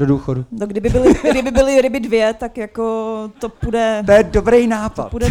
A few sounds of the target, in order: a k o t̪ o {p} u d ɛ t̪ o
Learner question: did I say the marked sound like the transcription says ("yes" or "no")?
yes